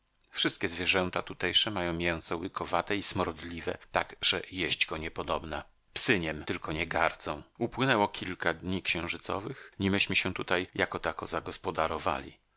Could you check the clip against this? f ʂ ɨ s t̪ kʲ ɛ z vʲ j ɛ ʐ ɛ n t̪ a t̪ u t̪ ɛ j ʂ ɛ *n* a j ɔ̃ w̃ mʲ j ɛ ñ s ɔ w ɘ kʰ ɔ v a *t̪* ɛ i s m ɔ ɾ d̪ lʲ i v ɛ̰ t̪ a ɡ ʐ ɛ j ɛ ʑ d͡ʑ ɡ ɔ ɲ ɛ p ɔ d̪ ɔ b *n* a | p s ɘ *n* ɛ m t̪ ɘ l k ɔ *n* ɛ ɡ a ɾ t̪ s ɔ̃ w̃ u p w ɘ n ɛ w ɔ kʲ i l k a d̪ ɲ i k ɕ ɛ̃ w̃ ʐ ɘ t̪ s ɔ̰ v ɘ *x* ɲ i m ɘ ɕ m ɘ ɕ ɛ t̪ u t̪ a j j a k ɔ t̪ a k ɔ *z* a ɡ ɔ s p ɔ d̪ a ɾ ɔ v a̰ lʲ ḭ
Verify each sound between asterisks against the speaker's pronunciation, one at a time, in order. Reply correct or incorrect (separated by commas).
incorrect, correct, correct, incorrect, incorrect, correct, correct